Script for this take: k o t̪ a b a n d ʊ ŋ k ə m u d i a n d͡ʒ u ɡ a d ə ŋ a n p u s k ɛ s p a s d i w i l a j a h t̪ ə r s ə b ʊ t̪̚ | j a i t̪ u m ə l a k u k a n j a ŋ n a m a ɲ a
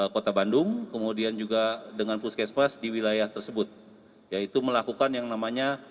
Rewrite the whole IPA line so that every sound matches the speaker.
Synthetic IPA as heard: k o t̪ a b a n d ʊ ŋ k ə m u d i a n d͡ʒ u ɡ a d ə ŋ a n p u s k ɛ s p a s d i w i l a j a h t̪ ə r s ə b ʊ t̪̚ | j a i t̪ u m ə l a k u k a n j a ŋ n a m a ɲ a

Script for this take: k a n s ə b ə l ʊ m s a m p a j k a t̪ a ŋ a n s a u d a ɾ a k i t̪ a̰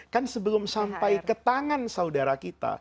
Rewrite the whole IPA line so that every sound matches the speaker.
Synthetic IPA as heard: k a n s ə b ə l ʊ m s a m p a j k ə t̪ a ŋ a n s a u d a ɾ a k i t̪ a̰

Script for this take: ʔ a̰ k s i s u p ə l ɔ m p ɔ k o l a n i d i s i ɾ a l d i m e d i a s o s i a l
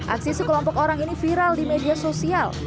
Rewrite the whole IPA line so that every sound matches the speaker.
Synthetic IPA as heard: ʔ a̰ k s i s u k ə l ɔ m p ɔ k o ɾ a ŋ i n i f i ɾ a l d i m e d i a s o s i a l

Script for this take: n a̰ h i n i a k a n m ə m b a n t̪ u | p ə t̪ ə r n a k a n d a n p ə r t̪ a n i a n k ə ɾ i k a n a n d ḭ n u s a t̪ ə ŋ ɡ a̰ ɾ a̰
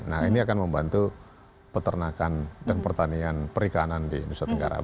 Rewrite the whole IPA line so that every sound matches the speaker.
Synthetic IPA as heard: n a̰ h i n i a k a n m ə m b a n t̪ u | p ə t̪ ə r n a k a n d a n p ə r t̪ a n i a n p ə ɾ i k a n a n d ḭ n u s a t̪ ə ŋ ɡ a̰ ɾ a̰

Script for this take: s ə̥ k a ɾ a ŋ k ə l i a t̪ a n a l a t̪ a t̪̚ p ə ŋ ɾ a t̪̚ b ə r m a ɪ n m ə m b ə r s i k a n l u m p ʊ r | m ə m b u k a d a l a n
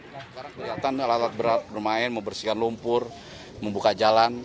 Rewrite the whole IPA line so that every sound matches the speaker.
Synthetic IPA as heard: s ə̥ k a ɾ a ŋ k ə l i a t̪ a n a l a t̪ a t̪̚ b ə ɾ a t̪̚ b ə r m a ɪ n m ə m b ə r s i k a n l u m p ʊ r | m ə m b u k a d͡ʒ a l a n

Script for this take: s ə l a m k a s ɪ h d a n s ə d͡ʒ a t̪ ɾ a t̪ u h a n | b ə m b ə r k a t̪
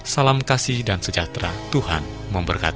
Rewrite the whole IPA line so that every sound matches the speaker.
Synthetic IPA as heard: s a l a m k a s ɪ h d a n s ə d͡ʒ a t̪ ɾ a t̪ u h a n | m ə m b ə r k a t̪

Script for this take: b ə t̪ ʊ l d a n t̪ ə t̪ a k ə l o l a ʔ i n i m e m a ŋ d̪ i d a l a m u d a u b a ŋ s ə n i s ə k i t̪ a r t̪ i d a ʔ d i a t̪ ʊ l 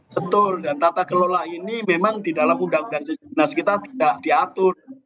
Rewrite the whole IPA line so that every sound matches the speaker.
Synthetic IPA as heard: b ə t̪ ʊ l d a n t̪ a t̪ a k ə l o l a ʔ i n i m e m a ŋ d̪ i d a l a m u d a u d a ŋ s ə n a s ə k i t̪ a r t̪ i d a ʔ d i a t̪ ʊ r

